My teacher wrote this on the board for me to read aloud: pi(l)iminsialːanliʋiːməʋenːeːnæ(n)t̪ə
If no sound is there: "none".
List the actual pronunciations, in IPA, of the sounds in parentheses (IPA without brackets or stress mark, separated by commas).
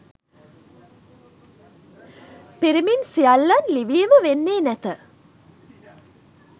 ɾ, none